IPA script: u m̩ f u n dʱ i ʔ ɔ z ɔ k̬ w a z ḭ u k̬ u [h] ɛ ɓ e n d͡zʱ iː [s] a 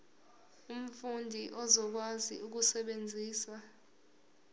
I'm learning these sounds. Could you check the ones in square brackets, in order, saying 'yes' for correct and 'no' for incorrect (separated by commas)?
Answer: no, yes